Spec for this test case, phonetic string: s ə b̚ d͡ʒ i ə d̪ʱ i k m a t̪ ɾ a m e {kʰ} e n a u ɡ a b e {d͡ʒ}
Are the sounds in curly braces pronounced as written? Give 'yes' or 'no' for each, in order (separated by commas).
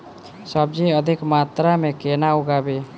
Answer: no, no